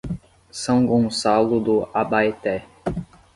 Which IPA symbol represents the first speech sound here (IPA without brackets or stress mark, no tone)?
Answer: s